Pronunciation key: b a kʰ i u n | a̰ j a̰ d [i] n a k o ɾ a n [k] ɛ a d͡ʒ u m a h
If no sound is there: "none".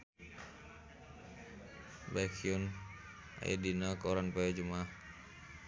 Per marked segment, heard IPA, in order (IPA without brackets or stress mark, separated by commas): i, p